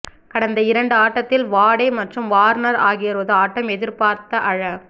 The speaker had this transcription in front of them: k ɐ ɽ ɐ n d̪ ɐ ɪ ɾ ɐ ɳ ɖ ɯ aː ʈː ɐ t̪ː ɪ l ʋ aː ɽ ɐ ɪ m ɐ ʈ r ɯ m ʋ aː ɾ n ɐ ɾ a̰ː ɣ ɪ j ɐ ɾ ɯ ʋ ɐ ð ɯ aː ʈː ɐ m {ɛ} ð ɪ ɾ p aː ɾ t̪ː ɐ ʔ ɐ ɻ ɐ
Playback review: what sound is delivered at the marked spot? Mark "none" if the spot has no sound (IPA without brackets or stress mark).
ɛ